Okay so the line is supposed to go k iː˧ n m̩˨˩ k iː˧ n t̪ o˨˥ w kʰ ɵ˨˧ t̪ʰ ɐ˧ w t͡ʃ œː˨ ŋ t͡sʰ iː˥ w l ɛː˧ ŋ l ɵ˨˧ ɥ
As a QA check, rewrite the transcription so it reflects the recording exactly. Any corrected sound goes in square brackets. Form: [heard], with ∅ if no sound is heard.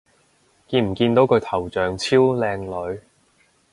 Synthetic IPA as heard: k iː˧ n m̩˨˩ k iː˧ n t̪ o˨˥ w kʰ ɵ˨˧ t̪ʰ [ɐ˨˩] w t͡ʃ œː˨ ŋ t͡sʰ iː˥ w l ɛː˧ ŋ l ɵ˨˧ ɥ

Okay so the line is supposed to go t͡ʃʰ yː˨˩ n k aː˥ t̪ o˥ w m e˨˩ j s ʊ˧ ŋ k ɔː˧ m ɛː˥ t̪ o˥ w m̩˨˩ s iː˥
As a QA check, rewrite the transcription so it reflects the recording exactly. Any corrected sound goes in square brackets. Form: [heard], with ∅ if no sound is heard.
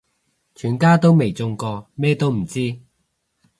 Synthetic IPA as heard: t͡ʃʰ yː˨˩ n k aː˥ t̪ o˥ w m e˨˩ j [t͡s] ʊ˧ ŋ k ɔː˧ m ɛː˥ t̪ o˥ w m̩˨˩ [t͡s] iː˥

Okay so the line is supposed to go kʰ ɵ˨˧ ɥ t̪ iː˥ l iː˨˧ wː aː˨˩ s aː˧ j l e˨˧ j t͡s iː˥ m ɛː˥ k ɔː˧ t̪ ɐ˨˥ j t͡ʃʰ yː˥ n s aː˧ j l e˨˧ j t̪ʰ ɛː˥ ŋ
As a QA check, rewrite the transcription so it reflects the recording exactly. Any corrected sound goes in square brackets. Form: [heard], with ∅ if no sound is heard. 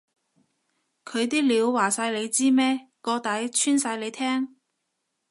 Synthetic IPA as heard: kʰ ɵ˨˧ ɥ t̪ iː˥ l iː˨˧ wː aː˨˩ s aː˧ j l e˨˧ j t͡s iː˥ m ɛː˥ k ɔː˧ t̪ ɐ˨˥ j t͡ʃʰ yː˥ n s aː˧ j l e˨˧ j t̪ʰ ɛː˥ ŋ

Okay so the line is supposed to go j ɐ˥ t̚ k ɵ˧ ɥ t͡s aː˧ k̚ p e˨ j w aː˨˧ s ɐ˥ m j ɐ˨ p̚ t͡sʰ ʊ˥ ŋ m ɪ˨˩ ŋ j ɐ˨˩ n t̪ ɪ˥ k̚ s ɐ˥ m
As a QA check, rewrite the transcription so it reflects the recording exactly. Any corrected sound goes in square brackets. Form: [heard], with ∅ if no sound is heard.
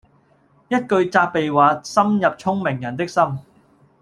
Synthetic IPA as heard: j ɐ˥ t̚ k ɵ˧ ɥ t͡s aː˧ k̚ p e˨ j w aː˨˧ s ɐ˥ m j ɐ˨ p̚ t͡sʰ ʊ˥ ŋ m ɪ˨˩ ŋ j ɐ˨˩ n t̪ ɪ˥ k̚ s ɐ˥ m

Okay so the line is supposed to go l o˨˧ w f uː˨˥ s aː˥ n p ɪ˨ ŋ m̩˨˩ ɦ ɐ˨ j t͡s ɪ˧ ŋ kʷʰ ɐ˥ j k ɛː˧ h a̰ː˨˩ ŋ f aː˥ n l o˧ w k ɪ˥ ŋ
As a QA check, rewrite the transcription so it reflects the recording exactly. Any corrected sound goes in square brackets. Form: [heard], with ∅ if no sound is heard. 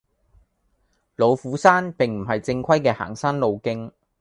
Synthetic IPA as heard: l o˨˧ w f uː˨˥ s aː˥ n p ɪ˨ ŋ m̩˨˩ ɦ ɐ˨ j t͡s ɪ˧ ŋ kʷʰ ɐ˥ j k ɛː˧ h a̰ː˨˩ ŋ [s] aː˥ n l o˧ w k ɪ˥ ŋ

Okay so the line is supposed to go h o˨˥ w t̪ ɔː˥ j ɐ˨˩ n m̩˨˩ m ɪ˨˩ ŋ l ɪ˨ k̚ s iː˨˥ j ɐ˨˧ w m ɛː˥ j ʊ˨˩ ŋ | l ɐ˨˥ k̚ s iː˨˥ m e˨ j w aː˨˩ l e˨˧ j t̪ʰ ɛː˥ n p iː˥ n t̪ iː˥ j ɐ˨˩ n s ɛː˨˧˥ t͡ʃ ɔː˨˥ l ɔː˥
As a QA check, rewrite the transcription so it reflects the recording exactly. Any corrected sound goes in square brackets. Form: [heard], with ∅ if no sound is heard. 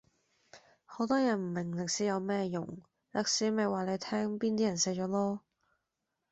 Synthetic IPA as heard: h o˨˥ w t̪ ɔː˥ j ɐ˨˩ n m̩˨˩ m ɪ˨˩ ŋ l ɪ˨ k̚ s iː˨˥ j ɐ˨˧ w m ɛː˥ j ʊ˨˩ ŋ | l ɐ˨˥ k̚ s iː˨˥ m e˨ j w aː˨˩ l e˨˧ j t̪ʰ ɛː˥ [ŋ] p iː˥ n t̪ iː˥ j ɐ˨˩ n s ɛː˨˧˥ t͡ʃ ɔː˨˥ l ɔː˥

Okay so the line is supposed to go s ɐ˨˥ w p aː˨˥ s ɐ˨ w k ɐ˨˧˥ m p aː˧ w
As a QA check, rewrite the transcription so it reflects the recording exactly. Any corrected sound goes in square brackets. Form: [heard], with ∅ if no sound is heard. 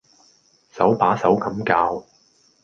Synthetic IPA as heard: s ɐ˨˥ w p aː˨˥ s [ɐ˨˥] w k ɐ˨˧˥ m [k] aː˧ w

